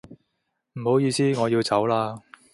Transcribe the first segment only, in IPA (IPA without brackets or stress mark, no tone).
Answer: m̩